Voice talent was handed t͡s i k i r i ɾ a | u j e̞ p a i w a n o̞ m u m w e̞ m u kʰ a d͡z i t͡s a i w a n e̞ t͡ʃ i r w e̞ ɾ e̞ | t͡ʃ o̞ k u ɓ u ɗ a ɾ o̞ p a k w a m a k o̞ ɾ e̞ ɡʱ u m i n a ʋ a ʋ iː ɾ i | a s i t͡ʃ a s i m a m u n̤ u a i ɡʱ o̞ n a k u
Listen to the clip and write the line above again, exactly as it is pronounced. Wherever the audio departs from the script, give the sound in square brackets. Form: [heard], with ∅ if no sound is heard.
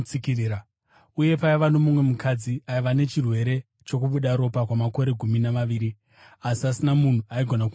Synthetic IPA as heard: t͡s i k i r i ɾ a | u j e̞ p a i [ʋ] a n o̞ m u m w e̞ m u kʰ a d͡z i [∅] a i [ʋ] a n e̞ t͡ʃ i r w e̞ ɾ e̞ | t͡ʃ o̞ k u ɓ u ɗ a ɾ o̞ p a k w a m a k o̞ ɾ e̞ ɡʱ u m i n a ʋ a ʋ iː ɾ i | a s i [∅] a s i [n] a m u n̤ u a i ɡʱ o̞ n a k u